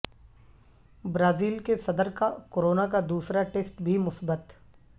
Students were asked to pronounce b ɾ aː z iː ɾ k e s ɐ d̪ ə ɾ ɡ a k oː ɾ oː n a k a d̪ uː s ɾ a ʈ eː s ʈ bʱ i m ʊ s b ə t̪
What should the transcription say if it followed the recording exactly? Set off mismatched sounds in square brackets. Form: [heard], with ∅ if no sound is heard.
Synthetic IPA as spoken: b ɾ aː z iː [l] k e s ɐ d̪ ə ɾ [k] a k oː ɾ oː n a k a d̪ uː s ɾ a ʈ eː s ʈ bʱ i m ʊ s b ə t̪